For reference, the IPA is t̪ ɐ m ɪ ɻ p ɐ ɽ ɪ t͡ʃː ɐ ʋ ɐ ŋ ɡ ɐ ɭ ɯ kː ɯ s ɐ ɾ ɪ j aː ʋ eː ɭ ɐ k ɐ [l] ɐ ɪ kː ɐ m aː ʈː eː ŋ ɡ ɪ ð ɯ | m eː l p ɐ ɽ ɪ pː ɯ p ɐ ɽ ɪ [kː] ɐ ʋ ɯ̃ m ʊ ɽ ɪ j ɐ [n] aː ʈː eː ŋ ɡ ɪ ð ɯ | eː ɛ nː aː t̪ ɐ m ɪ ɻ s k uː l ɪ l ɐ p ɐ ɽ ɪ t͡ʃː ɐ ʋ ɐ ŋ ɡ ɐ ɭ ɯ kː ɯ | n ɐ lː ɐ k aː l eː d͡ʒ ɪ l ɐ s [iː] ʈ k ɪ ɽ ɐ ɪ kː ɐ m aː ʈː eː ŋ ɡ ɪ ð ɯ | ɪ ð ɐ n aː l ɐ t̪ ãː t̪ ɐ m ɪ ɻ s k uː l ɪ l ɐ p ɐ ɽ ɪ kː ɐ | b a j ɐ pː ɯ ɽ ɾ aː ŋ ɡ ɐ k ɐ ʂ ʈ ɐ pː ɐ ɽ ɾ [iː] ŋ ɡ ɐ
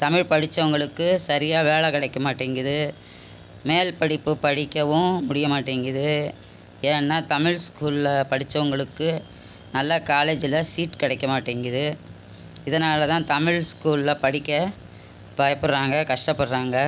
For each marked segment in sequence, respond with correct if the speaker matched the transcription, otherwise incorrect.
incorrect, correct, incorrect, correct, incorrect

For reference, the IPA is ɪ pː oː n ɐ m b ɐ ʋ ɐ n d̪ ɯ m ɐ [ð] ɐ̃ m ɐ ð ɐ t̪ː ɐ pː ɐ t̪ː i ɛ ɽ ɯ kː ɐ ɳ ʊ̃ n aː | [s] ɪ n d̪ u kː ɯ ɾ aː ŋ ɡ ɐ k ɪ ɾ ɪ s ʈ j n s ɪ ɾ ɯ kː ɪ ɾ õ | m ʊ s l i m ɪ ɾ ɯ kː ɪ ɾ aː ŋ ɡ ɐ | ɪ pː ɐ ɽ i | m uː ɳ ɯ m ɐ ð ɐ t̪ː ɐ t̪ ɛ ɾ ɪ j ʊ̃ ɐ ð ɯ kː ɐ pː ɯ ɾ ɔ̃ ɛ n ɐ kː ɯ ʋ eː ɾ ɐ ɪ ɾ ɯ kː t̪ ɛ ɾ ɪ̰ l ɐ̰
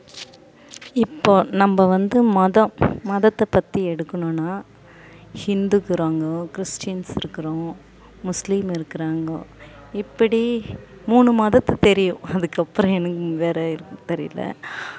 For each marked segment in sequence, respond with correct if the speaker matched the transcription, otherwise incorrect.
correct, incorrect

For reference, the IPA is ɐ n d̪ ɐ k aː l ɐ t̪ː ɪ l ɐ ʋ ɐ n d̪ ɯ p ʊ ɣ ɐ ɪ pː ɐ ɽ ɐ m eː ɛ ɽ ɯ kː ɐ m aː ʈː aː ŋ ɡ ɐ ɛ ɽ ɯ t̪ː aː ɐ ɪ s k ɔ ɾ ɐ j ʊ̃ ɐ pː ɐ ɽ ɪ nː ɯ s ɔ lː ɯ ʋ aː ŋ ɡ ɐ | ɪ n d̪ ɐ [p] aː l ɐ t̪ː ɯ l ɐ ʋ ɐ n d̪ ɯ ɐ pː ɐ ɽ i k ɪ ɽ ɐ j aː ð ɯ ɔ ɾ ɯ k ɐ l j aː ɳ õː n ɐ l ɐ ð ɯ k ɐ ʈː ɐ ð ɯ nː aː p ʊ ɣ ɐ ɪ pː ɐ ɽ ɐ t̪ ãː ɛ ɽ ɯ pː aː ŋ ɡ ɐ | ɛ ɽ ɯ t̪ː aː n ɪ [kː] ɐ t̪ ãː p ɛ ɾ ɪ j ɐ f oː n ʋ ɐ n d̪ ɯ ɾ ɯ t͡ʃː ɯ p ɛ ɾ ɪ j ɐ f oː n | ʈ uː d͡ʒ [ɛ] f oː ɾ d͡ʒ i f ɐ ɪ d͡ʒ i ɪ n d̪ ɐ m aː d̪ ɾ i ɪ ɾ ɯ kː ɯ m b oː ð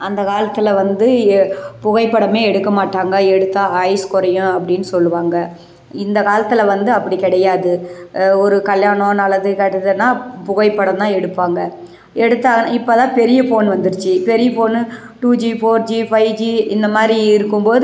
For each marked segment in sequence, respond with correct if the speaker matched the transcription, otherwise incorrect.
incorrect, incorrect, incorrect

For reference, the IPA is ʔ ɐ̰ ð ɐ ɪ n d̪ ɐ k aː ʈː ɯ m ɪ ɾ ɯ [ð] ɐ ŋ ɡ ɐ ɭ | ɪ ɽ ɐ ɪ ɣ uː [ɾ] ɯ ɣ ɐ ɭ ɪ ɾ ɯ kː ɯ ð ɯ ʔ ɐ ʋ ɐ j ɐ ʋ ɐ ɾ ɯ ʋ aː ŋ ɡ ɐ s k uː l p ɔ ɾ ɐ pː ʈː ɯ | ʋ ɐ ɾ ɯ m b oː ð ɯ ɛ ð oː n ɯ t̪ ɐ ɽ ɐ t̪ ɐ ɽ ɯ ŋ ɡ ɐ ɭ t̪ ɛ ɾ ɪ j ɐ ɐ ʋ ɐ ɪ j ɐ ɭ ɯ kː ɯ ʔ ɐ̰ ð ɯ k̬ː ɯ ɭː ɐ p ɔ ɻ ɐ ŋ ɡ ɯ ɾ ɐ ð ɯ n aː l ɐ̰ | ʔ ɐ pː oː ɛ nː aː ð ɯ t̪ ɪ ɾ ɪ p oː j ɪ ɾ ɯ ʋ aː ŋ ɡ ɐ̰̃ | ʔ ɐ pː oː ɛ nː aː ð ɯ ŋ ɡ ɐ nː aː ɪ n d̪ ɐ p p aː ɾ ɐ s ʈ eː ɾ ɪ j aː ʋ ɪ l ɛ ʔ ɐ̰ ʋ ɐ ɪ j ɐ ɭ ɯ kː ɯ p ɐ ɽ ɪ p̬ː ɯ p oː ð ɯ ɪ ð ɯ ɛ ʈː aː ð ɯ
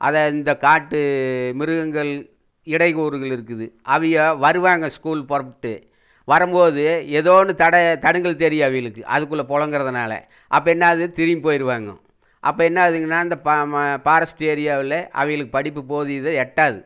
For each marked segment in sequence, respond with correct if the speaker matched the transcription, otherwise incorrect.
incorrect, correct

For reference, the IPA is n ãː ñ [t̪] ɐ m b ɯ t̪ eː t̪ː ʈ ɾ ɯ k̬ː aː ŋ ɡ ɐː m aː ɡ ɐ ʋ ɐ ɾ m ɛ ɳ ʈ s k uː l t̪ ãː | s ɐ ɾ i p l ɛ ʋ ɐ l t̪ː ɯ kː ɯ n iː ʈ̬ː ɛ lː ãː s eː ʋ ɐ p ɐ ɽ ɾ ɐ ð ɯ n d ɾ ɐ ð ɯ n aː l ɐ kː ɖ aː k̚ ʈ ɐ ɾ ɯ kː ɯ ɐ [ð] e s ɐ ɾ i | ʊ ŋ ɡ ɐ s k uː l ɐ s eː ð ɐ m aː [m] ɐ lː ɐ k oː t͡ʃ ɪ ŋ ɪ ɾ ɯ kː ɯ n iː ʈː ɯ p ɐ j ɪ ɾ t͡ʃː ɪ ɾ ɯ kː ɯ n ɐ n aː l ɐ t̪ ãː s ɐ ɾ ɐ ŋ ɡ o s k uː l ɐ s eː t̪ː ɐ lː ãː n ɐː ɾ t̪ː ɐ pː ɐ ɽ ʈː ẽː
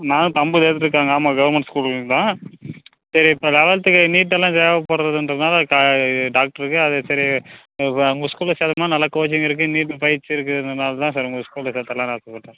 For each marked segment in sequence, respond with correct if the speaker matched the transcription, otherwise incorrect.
correct, correct, incorrect

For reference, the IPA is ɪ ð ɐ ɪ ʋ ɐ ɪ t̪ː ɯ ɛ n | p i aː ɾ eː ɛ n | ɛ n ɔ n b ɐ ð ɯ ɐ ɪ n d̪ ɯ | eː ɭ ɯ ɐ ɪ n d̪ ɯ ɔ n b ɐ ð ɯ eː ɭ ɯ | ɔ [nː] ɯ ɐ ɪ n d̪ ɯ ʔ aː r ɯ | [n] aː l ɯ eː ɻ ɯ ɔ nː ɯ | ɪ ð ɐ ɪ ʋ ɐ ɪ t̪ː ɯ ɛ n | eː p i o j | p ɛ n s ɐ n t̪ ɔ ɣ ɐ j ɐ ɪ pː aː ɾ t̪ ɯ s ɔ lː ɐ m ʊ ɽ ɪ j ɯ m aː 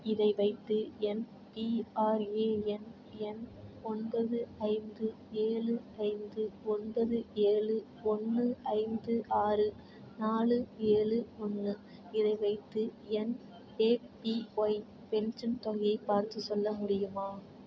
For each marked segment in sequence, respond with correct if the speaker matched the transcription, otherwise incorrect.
correct, correct

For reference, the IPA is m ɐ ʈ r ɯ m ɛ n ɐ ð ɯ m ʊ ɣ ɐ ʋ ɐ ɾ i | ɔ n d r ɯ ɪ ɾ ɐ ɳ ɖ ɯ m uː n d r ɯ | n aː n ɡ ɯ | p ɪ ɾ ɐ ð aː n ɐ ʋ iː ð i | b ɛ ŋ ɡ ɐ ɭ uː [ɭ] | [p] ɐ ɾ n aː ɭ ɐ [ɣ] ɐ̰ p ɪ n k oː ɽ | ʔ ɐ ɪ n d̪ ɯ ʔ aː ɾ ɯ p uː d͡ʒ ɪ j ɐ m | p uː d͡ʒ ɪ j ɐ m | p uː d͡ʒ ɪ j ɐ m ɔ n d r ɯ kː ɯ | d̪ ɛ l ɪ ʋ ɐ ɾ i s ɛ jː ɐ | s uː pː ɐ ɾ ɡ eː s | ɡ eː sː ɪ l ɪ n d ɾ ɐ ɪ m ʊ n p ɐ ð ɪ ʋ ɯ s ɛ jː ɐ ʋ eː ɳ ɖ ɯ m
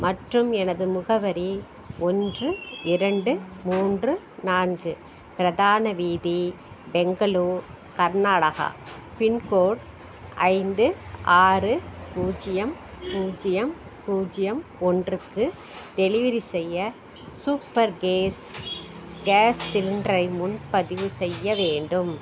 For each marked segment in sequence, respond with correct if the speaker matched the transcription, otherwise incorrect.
incorrect, incorrect, correct

